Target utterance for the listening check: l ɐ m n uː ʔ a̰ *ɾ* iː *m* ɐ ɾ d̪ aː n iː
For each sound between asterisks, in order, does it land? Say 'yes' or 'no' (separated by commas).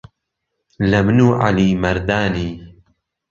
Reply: no, yes